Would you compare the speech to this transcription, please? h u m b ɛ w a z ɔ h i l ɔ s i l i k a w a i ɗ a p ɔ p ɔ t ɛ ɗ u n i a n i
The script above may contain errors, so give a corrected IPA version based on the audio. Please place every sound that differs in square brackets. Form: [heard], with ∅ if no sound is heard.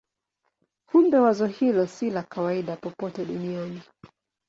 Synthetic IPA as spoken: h u m b ɛ w a z ɔ h i l ɔ s i l [a] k a w a i ɗ a p ɔ p ɔ t ɛ ɗ u n i a n i